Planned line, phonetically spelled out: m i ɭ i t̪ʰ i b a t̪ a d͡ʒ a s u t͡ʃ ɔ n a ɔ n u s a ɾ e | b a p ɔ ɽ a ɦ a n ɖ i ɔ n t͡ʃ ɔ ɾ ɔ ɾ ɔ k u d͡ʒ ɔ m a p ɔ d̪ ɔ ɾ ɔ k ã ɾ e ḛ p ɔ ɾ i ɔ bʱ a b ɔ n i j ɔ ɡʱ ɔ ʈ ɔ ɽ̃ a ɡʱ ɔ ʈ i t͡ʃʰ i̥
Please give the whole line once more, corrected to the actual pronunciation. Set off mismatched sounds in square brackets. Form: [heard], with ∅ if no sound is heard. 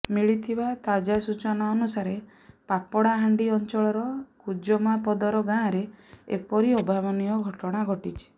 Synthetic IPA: m i ɭ i t̪ʰ i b a t̪ a d͡ʒ a s u t͡ʃ ɔ n a ɔ n u s a ɾ e | [p] a p ɔ ɽ a ɦ a [ɳ] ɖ i ɔ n t͡ʃ ɔ [ɭ] ɔ ɾ ɔ k u d͡ʒ ɔ m a p ɔ d̪ ɔ ɾ ɔ [ɡ] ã ɾ e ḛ p ɔ ɾ i ɔ bʱ a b ɔ n i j ɔ ɡʱ ɔ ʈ ɔ ɽ̃ a ɡʱ ɔ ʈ i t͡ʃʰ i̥